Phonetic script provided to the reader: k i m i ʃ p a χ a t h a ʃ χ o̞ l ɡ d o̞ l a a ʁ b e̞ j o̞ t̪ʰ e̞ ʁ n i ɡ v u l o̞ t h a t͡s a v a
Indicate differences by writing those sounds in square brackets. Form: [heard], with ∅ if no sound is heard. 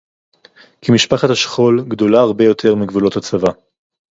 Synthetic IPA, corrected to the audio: k i m i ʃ p a χ a t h a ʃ χ o̞ l ɡ d o̞ l a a ʁ b e̞ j o̞ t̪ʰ e̞ ʁ [m] i ɡ v u l o̞ t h a t͡s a v a